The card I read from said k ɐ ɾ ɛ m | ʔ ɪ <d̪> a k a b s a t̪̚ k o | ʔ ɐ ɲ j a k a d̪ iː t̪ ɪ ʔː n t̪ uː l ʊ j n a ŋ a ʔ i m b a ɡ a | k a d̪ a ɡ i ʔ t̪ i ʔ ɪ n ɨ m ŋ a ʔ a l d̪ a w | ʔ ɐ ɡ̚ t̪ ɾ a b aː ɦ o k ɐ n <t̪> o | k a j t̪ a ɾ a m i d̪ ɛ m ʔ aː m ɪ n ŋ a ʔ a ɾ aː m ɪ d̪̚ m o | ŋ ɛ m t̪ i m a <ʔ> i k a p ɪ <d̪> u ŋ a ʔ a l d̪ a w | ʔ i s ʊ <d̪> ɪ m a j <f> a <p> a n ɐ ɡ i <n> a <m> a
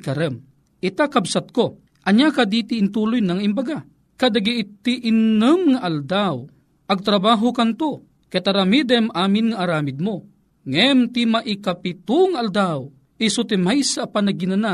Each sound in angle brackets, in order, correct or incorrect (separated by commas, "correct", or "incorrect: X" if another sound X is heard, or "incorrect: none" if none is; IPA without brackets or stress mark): incorrect: t̪, correct, correct, incorrect: t̪, incorrect: t̪, incorrect: s, correct, correct, incorrect: n